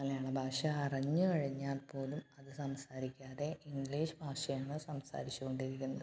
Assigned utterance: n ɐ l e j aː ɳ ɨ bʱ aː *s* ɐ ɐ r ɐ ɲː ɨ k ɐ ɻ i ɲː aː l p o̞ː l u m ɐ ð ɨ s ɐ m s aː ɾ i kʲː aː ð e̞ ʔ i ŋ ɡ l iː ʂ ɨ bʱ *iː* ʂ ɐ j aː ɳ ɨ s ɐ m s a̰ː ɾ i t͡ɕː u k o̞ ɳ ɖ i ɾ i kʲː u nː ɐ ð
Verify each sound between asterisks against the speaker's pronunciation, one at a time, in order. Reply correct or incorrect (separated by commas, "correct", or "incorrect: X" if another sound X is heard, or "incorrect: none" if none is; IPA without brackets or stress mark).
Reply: incorrect: ʂ, incorrect: aː